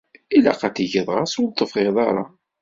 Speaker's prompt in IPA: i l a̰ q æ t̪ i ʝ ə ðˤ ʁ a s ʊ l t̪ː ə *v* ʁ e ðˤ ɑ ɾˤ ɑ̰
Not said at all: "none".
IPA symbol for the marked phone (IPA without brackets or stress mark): f